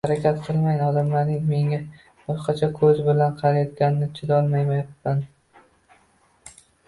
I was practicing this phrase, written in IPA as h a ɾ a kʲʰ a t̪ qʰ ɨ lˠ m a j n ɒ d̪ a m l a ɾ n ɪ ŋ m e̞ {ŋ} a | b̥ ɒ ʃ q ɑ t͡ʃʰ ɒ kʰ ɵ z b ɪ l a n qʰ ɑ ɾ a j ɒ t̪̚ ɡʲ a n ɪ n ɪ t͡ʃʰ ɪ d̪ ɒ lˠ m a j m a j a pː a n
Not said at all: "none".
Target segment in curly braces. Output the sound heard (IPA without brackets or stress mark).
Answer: ŋ